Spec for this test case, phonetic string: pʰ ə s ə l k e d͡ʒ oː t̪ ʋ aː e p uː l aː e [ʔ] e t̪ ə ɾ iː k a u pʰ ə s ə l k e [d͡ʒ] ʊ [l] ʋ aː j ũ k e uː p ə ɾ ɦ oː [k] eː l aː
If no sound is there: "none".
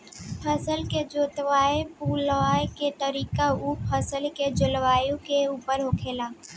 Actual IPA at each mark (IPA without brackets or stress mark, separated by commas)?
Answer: k, d͡ʒ, l, kʰ